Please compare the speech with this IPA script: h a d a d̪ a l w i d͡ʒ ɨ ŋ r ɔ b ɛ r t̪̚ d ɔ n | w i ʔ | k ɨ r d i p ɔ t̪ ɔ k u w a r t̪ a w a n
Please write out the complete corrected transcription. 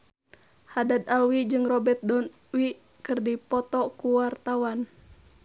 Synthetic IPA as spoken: h a d a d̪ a l w i d͡ʒ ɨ ŋ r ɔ b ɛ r t̪̚ d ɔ n | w i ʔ | k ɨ r d i p ɔ t̪ ɔ k u w a r t̪ a w a n

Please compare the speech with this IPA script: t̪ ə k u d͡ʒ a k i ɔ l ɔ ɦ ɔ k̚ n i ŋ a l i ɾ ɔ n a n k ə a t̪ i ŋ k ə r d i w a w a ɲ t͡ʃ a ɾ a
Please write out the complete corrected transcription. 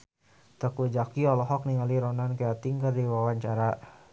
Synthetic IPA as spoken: t̪ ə k u d͡ʒ a k i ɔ l ɔ ɦ ɔ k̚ n i ŋ a l i ɾ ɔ n a n k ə a t̪ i ŋ k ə r d i w a w a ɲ t͡ʃ a ɾ a

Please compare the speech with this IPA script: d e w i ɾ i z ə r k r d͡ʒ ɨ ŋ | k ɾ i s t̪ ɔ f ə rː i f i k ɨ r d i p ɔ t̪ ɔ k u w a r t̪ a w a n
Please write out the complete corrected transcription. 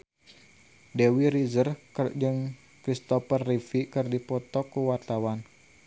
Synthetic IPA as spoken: d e w i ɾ i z ə r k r d͡ʒ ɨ ŋ | k ɾ i s t̪ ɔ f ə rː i f i k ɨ r d i p ɔ t̪ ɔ k u w a r t̪ a w a n

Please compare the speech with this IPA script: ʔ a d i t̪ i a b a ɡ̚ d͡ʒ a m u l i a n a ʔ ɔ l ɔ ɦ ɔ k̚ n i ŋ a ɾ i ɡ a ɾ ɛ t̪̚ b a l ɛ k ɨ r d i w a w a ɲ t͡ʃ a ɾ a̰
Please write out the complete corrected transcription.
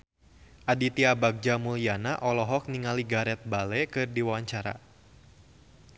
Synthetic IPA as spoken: ʔ a d i t̪ i a b a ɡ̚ d͡ʒ a m u l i a n a ʔ ɔ l ɔ ɦ ɔ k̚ n i ŋ a l i ɡ a ɾ ɛ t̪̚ b a l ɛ k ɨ r d i w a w a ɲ t͡ʃ a ɾ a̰

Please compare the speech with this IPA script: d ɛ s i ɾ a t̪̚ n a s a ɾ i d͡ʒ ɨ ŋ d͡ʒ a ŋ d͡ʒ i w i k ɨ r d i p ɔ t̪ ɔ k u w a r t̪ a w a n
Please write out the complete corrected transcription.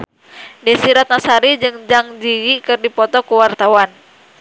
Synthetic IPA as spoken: d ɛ s i ɾ a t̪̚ n a s a ɾ i d͡ʒ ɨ ŋ d͡ʒ a ŋ d͡ʒ i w i k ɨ r d i p ɔ t̪ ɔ k u w a r t̪ a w a n

